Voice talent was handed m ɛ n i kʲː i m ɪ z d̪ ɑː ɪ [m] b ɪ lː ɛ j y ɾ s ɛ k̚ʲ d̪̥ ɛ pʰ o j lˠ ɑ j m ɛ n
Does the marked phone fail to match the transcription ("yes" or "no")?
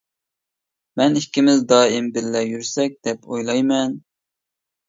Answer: no